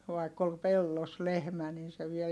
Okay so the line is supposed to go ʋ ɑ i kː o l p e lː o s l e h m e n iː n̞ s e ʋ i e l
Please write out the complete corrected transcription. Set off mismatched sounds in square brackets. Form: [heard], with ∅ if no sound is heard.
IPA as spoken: ʋ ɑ i kː o l p e lː o s l e h m [æ] n [i] n̞ s e ʋ i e l

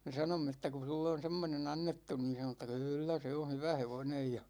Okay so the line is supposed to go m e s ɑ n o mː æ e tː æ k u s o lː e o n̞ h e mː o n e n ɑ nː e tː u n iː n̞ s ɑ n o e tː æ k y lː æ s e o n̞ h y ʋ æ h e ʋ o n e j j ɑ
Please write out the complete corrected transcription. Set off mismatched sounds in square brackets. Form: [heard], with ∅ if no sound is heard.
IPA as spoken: m e s ɑ n o mː [e] e tː æ k u s [u] lː e o n̞ [s] e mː o n e n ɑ nː e tː u n iː n̞ s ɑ n o e tː æ k y lː æ s e o n̞ h y ʋ æ h e ʋ o n e j j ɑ

